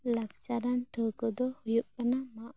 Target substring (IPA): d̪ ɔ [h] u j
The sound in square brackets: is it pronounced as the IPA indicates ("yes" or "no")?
yes